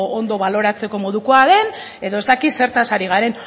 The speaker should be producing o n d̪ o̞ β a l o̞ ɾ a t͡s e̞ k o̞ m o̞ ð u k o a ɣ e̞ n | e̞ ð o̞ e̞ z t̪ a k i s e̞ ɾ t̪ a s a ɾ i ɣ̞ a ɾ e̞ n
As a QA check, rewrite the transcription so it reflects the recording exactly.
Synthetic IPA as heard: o n d̪ o̞ β a l o̞ ɾ a t͡s e̞ k o̞ m o̞ ð u k o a ð e̞ n | e̞ ð o̞ e̞ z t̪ a k i s e̞ ɾ t̪ a s a ɾ i ɣ̞ a ɾ e̞ n